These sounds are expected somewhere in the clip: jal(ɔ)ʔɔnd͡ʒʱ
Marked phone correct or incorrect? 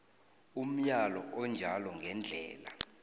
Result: correct